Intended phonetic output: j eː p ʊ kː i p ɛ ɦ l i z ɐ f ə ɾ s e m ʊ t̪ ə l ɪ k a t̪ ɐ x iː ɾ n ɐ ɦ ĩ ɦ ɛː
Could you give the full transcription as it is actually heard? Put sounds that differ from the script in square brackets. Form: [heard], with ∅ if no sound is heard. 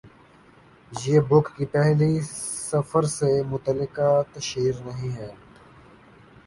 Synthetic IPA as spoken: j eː [b] ʊ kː i p ɛ ɦ l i [s] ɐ f ə ɾ s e m ʊ t̪ ə l ɪ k a t̪ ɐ [ʃ] iː ɾ n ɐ ɦ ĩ ɦ ɛː